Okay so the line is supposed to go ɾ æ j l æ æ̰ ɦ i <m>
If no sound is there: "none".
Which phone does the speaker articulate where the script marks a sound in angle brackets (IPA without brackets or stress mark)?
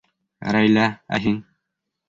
ŋ